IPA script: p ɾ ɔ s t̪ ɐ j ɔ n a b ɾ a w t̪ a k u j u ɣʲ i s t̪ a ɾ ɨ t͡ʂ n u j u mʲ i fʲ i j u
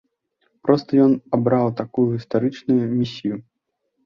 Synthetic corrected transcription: p ɾ ɔ s t̪ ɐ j ɔ n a b ɾ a w t̪ a k u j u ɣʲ i s t̪ a ɾ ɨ t͡ʂ n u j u mʲ i sʲ i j u